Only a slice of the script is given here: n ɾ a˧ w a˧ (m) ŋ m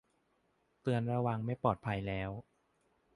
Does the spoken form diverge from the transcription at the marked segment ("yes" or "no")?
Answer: yes